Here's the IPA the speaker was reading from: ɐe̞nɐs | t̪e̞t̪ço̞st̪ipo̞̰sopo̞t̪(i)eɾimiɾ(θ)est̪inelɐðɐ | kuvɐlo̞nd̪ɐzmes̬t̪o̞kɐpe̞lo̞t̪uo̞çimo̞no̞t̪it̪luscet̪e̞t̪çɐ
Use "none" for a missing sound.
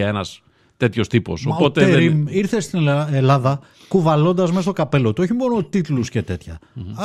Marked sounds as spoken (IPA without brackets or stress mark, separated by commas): e, θ